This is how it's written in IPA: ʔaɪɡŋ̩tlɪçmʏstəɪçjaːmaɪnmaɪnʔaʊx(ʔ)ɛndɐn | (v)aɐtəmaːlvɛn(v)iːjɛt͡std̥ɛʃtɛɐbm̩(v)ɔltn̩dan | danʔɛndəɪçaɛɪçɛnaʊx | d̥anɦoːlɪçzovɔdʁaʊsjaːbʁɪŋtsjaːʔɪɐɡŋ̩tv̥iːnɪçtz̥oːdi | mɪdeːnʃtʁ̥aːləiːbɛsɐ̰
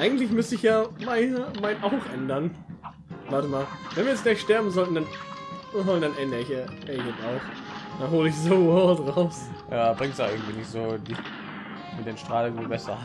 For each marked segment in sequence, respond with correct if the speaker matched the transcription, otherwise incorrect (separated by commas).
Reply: correct, correct, correct, incorrect